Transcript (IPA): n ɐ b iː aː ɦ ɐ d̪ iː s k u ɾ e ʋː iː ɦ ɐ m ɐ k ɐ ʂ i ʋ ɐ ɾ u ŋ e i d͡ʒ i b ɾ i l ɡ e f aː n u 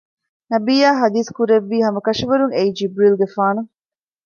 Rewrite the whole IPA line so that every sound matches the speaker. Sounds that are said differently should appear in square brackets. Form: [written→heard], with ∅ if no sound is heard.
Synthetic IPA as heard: n ɐ b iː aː ɦ ɐ d̪ iː s k u ɾ e ʋː iː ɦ ɐ m ɐ k ɐ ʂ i ʋ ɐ ɾ u ŋ e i d͡ʒ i b ɾ i l ɡ e f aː n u